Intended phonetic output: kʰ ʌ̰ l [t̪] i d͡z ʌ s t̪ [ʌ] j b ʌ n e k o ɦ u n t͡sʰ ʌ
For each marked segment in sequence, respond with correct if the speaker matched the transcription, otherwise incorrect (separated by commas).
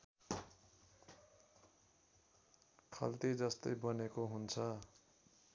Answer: correct, correct